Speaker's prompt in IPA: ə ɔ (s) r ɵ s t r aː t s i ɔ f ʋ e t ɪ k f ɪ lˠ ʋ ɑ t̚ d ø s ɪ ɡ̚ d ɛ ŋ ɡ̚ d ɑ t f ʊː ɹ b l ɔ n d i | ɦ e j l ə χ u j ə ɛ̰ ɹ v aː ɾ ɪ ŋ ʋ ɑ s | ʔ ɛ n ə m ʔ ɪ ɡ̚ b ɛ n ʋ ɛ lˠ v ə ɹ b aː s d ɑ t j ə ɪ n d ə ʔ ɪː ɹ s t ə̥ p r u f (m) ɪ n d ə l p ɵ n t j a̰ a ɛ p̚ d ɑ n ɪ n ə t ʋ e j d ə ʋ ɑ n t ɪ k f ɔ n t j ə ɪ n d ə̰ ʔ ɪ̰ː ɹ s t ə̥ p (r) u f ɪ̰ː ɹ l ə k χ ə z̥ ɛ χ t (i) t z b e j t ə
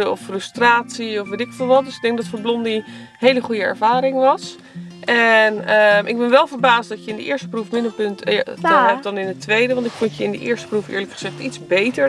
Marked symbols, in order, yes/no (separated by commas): no, yes, yes, yes